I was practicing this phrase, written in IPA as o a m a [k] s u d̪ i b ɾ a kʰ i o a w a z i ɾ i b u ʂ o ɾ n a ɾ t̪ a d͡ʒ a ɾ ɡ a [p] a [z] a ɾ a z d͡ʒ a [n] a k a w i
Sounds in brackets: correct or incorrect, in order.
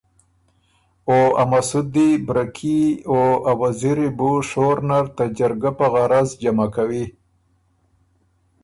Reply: incorrect: none, correct, incorrect: ɣ, incorrect: m

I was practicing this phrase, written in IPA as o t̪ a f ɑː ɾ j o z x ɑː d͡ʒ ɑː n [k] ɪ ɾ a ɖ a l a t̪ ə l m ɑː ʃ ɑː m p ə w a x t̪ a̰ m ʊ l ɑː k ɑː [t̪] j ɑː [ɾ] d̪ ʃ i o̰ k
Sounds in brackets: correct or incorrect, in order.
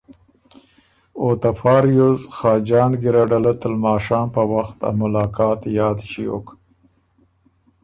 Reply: incorrect: ɡ, correct, incorrect: none

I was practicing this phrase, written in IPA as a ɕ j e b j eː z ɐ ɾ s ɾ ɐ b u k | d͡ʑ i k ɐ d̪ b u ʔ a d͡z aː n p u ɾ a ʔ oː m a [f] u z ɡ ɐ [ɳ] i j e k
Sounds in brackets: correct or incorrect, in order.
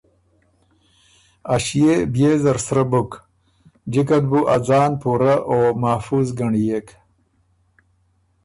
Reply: correct, correct

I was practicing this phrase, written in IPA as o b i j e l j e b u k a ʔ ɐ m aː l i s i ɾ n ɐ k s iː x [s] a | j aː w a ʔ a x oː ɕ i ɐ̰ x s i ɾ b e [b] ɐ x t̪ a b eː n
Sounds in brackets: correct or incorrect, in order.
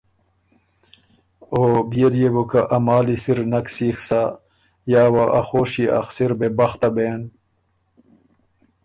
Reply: correct, correct

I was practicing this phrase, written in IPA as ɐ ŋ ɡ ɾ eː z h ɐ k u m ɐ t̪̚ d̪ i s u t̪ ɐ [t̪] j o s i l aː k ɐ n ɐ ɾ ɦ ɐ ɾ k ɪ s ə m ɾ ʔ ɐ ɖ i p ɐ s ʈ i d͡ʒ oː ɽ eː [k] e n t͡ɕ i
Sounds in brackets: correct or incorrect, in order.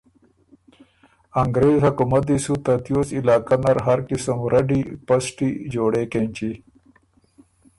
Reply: correct, correct

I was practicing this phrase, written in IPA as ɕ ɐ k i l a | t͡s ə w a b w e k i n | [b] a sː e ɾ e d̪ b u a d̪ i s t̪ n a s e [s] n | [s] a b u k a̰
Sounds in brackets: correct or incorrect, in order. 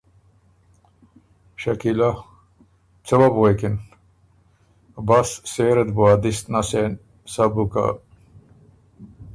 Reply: correct, incorrect: none, correct

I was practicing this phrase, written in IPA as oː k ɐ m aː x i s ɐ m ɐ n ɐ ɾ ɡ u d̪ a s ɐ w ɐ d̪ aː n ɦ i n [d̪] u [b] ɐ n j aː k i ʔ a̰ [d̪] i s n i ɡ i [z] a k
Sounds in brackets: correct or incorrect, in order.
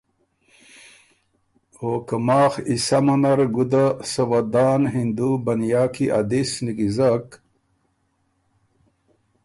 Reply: correct, correct, correct, correct

